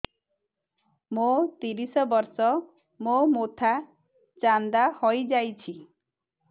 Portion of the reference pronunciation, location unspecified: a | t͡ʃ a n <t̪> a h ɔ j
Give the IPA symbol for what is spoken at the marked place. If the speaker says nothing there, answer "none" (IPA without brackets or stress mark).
d̪